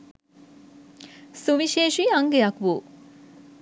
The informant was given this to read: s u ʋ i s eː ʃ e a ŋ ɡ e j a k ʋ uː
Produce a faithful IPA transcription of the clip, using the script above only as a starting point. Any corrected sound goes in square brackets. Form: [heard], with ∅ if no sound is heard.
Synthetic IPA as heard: s u ʋ i [ʃ] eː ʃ [i] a ŋ ɡ e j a k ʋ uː